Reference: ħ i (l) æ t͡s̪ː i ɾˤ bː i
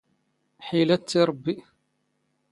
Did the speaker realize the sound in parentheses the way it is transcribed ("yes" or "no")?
yes